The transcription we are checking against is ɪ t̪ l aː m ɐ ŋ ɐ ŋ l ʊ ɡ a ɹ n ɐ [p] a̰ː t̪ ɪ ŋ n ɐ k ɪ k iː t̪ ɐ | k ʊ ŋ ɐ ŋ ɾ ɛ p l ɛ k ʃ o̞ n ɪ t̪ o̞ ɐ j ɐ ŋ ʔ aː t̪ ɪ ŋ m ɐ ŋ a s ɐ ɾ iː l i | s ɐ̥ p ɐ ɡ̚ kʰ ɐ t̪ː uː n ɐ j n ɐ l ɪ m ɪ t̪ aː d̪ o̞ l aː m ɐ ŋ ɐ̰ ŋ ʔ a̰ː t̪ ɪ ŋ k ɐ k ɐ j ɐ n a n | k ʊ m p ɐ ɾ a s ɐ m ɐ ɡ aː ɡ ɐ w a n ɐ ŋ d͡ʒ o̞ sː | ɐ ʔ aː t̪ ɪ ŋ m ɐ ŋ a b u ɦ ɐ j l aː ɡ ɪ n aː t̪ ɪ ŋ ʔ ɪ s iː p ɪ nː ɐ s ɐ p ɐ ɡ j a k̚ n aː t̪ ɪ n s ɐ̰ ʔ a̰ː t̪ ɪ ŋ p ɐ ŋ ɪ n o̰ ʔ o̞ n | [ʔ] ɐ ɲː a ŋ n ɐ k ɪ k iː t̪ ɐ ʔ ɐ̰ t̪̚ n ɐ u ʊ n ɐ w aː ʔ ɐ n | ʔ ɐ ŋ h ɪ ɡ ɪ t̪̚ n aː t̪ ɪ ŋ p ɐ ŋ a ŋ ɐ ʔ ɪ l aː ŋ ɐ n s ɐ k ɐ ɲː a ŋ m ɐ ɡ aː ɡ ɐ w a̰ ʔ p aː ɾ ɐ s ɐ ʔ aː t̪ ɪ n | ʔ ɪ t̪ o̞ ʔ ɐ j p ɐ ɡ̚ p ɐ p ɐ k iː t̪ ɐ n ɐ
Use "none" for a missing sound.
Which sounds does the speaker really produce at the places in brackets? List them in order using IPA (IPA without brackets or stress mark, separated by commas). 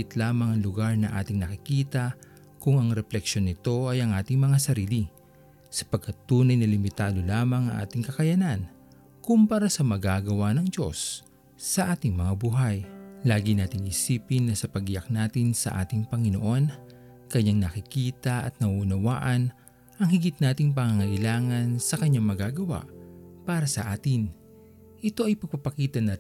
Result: ʔ, k